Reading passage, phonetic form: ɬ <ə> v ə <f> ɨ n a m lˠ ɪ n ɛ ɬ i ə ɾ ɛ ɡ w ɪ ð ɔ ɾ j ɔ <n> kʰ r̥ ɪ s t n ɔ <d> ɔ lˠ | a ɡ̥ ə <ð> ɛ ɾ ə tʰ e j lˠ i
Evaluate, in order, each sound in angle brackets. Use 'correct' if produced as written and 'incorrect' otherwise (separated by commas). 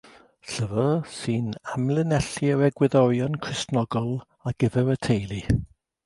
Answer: correct, incorrect, correct, incorrect, incorrect